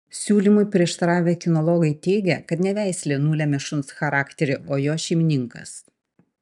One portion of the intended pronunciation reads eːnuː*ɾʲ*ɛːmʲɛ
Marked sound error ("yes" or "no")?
yes